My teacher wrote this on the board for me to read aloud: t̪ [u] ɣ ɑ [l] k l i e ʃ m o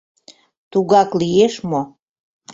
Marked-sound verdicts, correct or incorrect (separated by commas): correct, incorrect